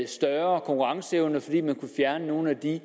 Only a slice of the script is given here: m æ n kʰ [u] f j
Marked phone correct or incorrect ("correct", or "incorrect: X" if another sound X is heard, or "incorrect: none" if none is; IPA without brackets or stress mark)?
correct